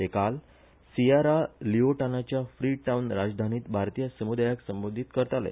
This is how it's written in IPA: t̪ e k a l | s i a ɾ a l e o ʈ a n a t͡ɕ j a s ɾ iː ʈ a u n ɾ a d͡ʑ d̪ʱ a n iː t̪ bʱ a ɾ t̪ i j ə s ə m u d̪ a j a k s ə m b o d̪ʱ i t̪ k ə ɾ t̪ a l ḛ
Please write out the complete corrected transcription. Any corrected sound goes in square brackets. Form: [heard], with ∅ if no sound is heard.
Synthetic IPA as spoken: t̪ e k a l | s i a ɾ a l [i] o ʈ a n a t͡ɕ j a [f] ɾ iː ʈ a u n ɾ a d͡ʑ d̪ʱ a n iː t̪ bʱ a ɾ t̪ i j ə s ə m u d̪ a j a k s ə m b o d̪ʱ i t̪ k ə ɾ t̪ a l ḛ